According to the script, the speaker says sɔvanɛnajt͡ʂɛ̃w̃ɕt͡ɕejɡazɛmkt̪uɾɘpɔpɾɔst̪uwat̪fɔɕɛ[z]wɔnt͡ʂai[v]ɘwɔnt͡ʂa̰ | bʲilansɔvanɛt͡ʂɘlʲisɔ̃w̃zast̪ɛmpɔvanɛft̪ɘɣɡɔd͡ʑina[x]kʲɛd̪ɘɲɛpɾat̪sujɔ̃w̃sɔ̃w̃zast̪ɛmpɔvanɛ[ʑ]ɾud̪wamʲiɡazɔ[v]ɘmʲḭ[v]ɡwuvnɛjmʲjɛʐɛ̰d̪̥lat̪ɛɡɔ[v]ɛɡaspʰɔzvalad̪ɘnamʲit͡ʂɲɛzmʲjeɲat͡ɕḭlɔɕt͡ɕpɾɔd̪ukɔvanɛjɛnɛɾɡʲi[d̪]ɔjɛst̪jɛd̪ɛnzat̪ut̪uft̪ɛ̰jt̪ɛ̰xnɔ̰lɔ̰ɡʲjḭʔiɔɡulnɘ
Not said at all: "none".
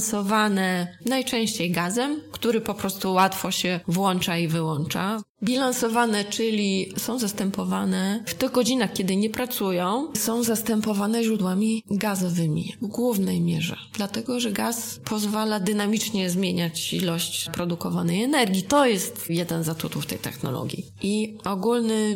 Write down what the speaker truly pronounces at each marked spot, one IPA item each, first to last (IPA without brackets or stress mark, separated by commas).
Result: v, v, x, ʑ, v, v, ʐ, t̪